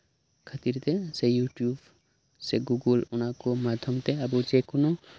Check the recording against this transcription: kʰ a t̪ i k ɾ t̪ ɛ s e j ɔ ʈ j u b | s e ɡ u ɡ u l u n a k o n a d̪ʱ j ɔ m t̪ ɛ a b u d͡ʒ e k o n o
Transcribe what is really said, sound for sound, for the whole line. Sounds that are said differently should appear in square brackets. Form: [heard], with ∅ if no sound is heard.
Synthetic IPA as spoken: kʰ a t̪ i [∅] ɾ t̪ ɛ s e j [u] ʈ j u b | s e ɡ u ɡ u l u n a k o [m] a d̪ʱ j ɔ m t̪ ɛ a b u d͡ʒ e k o n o

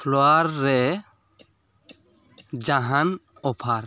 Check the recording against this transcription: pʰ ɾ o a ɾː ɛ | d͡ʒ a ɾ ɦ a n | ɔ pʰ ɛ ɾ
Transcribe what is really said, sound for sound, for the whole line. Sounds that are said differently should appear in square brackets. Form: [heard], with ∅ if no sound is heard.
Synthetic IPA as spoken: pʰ [l] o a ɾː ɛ | d͡ʒ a [∅] ɦ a n | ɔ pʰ [a] ɾ

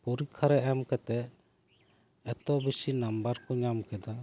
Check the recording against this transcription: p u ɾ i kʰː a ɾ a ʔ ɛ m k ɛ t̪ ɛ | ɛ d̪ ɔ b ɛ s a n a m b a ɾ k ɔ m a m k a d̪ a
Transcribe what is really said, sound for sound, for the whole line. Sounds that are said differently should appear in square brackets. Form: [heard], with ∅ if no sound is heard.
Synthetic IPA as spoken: p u ɾ i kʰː a ɾ [ɛ] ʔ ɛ m k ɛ t̪ ɛ | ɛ [t̪] ɔ b [i] s [i] n a m b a ɾ k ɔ [ɲ] a m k [ɛ] d̪ a

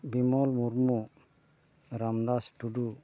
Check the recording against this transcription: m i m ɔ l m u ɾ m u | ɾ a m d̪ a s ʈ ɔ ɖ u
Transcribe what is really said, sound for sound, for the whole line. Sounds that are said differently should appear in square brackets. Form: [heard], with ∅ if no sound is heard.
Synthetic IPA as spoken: [b] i m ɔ l m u ɾ m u | ɾ a m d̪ a s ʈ [u] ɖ u

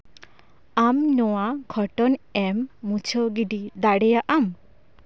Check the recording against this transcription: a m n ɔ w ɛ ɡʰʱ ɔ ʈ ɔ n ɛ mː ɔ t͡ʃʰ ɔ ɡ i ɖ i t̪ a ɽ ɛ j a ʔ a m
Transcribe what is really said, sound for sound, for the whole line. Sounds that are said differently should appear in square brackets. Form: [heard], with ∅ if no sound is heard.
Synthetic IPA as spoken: a m n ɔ w [a] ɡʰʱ ɔ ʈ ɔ n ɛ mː [u] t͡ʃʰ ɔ ɡ i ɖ i [d̪] a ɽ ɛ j a ʔ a m

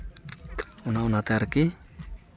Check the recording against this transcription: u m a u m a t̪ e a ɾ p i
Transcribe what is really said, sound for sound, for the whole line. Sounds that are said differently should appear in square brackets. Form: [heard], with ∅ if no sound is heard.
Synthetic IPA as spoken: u [n] a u [n] a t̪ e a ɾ [k] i

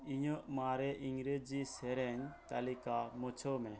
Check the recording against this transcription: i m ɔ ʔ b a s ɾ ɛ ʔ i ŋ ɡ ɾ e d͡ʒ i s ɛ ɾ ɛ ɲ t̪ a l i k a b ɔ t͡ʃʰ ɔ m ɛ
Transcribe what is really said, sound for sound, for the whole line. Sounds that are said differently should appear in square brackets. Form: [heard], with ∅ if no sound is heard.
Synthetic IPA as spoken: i [ɲ] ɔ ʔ [m] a [∅] ɾ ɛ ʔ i ŋ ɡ ɾ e d͡ʒ i s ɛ ɾ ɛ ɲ t̪ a l i k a [m] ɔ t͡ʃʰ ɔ m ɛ

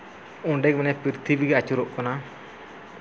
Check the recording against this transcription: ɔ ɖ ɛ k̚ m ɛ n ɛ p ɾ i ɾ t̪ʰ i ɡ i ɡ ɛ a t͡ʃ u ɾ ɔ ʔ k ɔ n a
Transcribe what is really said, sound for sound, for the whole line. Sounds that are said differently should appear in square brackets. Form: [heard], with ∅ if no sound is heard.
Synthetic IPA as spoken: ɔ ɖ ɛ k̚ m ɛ n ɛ p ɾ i ɾ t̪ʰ i [b] i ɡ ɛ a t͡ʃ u ɾ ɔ ʔ k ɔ n a

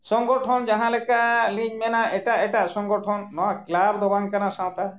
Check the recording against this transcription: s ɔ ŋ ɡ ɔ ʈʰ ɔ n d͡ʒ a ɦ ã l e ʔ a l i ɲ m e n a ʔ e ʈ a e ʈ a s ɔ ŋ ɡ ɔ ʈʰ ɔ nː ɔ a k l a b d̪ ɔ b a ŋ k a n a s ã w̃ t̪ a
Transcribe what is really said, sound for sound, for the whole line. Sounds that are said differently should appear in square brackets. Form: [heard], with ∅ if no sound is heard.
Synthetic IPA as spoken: s ɔ ŋ ɡ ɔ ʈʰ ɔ n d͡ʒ a ɦ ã l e [k] a l i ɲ m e n a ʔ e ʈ a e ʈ a s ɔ ŋ ɡ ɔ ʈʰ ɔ nː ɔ a k l a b d̪ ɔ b a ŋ k a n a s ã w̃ t̪ a

